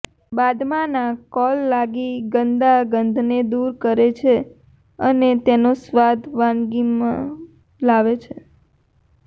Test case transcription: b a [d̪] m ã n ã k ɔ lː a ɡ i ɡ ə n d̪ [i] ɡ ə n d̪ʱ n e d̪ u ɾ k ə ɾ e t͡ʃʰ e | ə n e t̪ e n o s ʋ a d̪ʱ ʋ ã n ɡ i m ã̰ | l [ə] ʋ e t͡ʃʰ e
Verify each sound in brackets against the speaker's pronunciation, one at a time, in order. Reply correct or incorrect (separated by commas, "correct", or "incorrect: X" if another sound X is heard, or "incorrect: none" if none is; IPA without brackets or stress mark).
correct, incorrect: a, incorrect: a